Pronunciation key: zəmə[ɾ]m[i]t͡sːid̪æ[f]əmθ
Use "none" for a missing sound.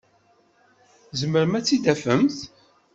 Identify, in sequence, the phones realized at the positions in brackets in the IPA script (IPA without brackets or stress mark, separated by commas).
ɾ, æ, f